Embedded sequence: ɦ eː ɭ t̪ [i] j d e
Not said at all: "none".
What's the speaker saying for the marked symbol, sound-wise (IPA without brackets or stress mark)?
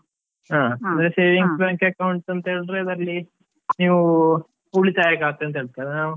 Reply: a